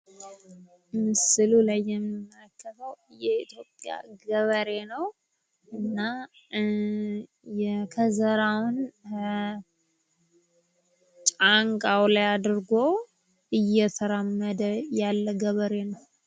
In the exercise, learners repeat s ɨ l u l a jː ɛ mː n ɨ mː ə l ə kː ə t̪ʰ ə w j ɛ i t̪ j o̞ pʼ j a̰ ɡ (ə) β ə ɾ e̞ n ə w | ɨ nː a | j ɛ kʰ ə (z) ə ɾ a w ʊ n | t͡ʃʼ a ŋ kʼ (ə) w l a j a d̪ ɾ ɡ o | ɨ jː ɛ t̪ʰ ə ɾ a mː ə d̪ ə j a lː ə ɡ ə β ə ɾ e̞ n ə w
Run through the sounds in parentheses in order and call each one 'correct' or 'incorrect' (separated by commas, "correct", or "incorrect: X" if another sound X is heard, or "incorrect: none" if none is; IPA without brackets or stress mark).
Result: correct, correct, incorrect: a